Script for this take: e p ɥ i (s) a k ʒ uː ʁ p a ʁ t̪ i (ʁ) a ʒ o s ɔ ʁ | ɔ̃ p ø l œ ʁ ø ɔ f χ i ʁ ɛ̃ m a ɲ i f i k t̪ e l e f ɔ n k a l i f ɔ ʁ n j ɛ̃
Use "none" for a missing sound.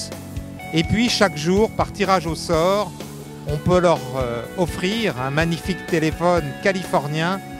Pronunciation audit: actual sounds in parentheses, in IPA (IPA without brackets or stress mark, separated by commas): ʃ, ʁ